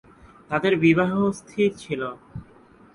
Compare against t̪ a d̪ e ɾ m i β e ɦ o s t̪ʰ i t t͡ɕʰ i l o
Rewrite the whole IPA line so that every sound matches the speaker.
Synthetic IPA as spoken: t̪ a d̪ e ɾ b i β a ɦ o s t̪ʰ i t t͡ɕʰ i l o

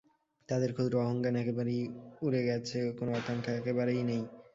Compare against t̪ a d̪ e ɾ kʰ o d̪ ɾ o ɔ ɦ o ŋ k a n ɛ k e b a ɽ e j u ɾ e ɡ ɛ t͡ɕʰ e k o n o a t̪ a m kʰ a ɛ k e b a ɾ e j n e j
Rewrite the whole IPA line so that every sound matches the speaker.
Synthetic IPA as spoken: t̪ a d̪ e ɾ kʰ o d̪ ɾ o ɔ ɦ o ŋ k a n ɛ k e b a ɾ e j u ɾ e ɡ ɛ t͡ɕʰ e k o n o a t̪ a ŋ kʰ a ɛ k e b a ɾ e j n e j

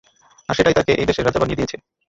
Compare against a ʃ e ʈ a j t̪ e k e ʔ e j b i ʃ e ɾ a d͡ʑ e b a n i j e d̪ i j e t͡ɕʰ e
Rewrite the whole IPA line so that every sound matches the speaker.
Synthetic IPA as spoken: a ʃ e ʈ a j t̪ a k e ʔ e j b e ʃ e ɾ a d͡ʑ a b a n i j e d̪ i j e t͡ɕʰ e

